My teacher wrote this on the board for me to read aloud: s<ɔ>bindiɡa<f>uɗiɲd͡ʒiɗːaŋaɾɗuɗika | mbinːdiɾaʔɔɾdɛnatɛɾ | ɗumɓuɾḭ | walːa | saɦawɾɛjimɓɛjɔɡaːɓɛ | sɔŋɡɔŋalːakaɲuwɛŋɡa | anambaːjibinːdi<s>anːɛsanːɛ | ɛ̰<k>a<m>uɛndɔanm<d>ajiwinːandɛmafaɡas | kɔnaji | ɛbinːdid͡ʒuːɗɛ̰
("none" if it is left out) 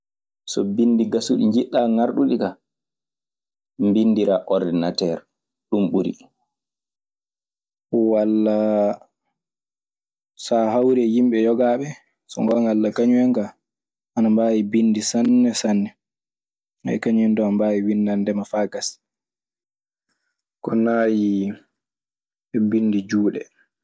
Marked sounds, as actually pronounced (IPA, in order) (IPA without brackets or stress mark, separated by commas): ɔ, s, s, k, ɲ, b